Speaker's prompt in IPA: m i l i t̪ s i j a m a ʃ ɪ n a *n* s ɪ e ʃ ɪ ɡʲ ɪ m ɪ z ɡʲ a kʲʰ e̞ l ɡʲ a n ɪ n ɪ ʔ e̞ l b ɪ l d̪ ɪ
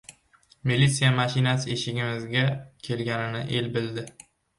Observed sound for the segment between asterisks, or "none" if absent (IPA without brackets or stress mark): none